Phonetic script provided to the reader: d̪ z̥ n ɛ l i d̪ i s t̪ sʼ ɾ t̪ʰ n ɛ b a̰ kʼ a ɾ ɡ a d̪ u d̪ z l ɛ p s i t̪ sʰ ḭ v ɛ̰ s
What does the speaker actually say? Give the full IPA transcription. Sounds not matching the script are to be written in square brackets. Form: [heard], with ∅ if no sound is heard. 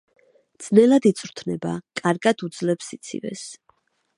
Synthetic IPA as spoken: d̪ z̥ n ɛ l [a] d̪ i [∅] t̪ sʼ ɾ t̪ʰ n ɛ b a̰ kʼ a ɾ ɡ a d̪ u d̪ z l ɛ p s i t̪ sʰ ḭ v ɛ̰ s